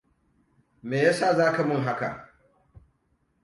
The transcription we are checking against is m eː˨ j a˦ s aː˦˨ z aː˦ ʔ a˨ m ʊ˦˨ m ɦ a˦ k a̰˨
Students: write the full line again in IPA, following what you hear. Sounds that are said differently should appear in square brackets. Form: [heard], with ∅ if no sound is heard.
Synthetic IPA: m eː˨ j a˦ s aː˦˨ z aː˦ [k] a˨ m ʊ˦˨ [ŋ] ɦ a˦ k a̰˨